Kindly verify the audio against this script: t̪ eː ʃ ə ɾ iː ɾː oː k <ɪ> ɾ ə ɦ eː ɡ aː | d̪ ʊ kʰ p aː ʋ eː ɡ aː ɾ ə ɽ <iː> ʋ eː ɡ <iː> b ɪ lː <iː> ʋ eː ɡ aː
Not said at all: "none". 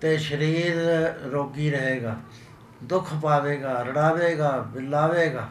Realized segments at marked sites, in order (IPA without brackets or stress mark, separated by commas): i, aː, aː, aː